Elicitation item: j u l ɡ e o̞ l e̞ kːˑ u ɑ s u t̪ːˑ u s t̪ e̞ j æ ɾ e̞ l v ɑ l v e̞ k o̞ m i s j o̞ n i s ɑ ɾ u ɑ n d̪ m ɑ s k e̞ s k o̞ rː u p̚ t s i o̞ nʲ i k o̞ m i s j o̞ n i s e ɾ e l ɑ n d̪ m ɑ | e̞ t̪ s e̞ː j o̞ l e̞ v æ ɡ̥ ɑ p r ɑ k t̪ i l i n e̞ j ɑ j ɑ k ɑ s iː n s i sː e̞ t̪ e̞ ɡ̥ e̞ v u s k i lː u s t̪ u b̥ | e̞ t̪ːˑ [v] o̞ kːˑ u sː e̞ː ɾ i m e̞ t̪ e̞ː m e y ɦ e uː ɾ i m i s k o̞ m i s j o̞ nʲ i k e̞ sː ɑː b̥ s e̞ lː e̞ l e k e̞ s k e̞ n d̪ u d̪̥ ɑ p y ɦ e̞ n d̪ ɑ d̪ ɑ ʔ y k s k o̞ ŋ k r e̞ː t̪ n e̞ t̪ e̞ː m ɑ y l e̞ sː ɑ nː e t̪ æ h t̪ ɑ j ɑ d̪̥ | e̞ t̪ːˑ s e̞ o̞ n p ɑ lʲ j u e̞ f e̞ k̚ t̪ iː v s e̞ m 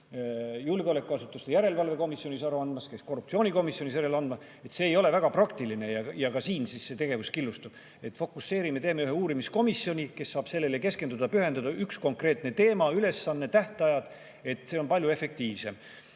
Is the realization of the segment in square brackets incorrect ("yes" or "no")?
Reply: yes